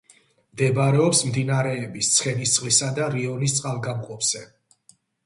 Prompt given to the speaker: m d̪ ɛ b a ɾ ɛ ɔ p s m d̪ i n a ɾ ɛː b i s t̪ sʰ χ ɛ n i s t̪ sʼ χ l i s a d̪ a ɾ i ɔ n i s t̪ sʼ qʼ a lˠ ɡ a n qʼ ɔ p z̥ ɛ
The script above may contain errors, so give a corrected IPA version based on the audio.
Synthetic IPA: m d̪ ɛ b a ɾ ɛ ɔ p s m d̪ i n a ɾ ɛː b i s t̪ sʰ χ ɛ n i s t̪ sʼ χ l i s a d̪ a ɾ i ɔ n i s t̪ sʼ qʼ a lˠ ɡ a m qʼ ɔ p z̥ ɛ